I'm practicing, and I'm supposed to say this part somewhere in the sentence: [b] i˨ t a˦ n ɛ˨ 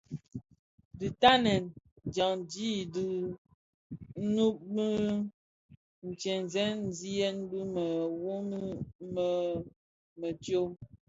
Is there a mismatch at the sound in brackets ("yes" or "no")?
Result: yes